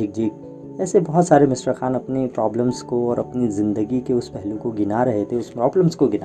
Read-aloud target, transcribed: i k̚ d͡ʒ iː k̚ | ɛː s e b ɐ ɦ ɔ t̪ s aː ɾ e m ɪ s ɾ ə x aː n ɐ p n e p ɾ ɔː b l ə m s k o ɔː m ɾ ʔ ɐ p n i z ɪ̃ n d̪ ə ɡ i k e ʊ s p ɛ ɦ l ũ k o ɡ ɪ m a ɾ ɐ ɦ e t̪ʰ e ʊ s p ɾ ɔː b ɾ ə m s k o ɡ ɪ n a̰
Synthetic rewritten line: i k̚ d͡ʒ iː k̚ | ɛː s e b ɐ ɦ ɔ t̪ s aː ɾ e m ɪ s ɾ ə x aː n ɐ p n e p ɾ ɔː b l ə m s k o ɔː ɾ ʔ ɐ p n i z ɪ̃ n d̪ ə ɡ i k e ʊ s p ɛ ɦ l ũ k o ɡ ɪ n a ɾ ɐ ɦ e t̪ʰ e ʊ s p ɾ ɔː b l ə m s k o ɡ ɪ n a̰